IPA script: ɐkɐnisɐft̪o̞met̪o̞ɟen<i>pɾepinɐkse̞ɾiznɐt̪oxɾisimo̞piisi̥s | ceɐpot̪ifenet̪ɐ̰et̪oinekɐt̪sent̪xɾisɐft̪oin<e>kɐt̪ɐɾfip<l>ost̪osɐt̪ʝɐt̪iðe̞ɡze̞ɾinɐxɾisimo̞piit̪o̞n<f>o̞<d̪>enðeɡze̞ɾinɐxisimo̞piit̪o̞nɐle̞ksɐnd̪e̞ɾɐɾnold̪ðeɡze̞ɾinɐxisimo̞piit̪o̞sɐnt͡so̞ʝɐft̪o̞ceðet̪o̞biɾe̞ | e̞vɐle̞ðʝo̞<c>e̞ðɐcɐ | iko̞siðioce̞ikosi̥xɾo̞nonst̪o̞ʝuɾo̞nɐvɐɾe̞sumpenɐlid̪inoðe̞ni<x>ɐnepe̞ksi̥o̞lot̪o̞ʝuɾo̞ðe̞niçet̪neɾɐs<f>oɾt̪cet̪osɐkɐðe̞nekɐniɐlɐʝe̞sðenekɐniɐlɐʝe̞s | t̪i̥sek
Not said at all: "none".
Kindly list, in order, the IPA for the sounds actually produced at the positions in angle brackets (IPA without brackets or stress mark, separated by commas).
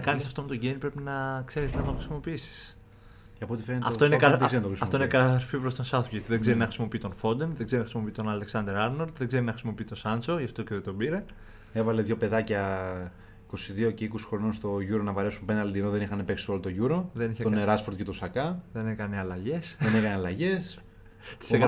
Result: i, e, ɾ, f, d̪, p, x, f